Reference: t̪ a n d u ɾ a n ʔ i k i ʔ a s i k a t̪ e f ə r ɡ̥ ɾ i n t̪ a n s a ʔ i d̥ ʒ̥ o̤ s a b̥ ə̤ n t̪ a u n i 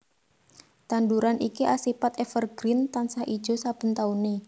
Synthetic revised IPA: t̪ a n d u ɾ a n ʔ i k i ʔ a s i p a t̪ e f ə r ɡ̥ ɾ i n t̪ a n s a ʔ i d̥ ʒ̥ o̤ s a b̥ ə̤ n t̪ a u n i